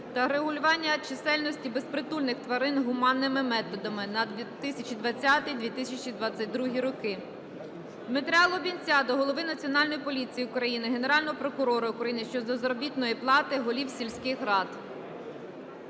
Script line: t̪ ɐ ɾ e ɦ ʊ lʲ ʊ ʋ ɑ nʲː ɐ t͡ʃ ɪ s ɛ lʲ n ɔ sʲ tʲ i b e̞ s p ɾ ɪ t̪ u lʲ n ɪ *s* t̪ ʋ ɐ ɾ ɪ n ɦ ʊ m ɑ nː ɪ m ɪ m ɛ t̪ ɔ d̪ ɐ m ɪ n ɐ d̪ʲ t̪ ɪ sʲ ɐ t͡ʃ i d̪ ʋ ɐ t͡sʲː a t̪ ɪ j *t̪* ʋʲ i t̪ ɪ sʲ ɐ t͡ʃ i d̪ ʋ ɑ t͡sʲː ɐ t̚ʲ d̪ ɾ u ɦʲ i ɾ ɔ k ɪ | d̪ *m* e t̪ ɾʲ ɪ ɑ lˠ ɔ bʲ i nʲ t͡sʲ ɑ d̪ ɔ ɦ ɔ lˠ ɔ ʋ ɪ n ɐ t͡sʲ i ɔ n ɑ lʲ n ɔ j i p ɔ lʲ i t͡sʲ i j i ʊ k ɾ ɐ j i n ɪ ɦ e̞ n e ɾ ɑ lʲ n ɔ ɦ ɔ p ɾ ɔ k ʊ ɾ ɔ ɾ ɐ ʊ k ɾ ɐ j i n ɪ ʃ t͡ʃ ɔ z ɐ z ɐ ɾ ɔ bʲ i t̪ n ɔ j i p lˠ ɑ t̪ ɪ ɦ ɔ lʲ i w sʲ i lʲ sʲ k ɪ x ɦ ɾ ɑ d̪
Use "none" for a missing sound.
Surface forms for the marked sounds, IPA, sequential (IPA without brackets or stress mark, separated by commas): x, d̪, m